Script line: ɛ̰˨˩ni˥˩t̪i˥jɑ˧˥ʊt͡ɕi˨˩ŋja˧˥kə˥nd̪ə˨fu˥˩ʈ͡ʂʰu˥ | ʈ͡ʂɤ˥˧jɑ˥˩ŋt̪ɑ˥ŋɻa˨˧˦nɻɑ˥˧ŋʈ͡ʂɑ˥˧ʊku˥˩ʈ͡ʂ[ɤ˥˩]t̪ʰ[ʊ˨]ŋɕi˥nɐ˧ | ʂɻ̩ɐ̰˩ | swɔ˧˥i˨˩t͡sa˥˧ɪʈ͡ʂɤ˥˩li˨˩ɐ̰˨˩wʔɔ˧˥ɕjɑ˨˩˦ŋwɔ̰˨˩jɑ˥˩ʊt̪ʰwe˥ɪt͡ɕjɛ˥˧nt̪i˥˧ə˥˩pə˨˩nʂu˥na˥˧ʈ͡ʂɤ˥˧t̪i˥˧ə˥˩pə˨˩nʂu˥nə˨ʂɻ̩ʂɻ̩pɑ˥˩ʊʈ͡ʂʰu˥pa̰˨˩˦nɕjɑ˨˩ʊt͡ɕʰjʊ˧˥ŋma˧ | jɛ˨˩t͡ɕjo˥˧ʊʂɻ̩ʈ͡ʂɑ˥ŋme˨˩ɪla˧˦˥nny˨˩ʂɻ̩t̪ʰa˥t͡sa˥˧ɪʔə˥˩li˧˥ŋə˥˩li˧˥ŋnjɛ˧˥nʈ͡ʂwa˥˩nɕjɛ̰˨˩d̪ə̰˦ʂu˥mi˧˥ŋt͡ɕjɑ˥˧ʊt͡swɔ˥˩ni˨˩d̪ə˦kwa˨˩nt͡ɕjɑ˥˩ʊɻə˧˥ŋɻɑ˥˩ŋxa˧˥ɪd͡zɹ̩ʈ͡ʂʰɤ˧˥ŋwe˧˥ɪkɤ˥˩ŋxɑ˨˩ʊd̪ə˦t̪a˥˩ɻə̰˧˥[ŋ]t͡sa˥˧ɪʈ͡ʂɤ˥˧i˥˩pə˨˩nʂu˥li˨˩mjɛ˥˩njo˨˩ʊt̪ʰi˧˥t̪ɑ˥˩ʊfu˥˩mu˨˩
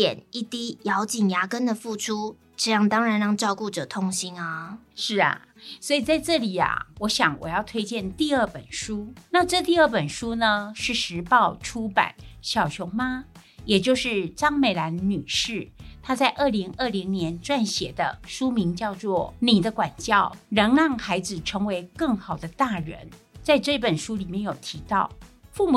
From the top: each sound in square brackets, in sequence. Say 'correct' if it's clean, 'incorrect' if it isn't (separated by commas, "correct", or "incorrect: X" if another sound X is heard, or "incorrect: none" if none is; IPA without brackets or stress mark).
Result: incorrect: ɤ˨˩, incorrect: ʊ˥, incorrect: n